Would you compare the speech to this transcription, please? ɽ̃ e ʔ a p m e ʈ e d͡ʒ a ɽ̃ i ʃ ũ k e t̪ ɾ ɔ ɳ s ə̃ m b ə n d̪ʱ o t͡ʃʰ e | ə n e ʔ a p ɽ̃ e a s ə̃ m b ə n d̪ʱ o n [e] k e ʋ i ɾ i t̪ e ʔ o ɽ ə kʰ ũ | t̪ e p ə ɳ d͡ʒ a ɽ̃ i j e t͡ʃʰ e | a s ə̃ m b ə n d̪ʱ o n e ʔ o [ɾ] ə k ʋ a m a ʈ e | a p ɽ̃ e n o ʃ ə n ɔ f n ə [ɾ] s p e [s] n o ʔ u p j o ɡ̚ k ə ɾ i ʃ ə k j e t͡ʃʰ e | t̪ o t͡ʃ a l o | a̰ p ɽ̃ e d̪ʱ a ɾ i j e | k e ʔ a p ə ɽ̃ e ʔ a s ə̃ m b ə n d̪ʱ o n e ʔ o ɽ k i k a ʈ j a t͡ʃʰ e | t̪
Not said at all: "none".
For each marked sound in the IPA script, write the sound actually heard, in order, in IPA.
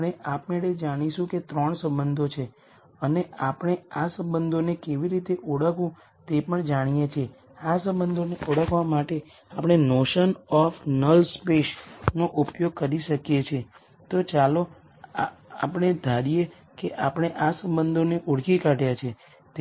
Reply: e, ɽ, l, ʃ

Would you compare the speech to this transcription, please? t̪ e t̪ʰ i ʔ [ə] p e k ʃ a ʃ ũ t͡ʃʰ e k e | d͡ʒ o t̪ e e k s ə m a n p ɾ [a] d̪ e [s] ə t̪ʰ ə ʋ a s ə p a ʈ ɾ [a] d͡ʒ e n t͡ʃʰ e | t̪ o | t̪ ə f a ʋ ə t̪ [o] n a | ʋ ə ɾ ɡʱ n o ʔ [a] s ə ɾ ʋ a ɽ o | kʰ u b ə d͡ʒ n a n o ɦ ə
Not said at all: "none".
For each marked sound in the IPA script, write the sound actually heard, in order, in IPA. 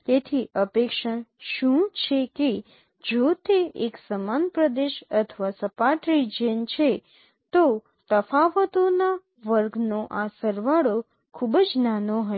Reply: ə, ə, ʃ, i, o, a

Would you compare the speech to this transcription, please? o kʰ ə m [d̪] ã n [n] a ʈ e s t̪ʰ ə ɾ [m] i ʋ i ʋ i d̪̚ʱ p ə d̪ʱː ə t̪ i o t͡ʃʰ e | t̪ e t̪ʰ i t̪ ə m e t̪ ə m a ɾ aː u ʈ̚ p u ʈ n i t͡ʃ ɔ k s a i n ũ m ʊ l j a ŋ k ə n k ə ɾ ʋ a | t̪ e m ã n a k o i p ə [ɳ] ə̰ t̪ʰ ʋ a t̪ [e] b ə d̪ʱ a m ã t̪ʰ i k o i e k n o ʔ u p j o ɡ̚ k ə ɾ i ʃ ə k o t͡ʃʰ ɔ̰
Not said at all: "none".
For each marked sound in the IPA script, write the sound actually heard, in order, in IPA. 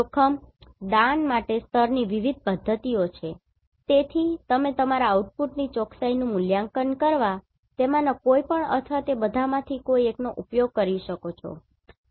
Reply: d̪, m, n, ɳ, e

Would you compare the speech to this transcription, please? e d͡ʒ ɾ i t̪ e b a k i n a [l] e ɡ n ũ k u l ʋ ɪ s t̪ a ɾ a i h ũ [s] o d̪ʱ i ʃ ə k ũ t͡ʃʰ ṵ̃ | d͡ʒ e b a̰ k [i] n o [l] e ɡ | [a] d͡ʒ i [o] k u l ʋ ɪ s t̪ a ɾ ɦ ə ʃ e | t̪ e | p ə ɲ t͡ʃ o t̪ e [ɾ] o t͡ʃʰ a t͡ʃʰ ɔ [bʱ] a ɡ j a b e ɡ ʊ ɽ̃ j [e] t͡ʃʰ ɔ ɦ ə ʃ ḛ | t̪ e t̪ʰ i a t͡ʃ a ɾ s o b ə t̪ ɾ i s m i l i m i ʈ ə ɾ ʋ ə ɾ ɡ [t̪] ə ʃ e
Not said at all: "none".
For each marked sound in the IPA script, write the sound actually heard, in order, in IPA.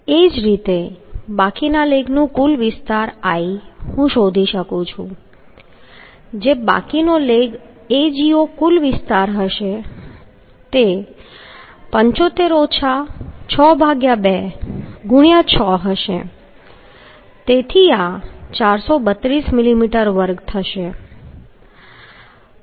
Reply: l, ʃ, i, l, e, o, ɾ, bʱ, a, t̪ʰ

